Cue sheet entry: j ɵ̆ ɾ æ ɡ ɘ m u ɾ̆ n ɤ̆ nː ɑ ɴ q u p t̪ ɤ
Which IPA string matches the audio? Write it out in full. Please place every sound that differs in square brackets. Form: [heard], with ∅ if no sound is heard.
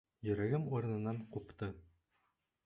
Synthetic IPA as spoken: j ɵ̆ ɾ æ ɡ ɘ m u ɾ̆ n ɤ̆ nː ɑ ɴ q u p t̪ ɤ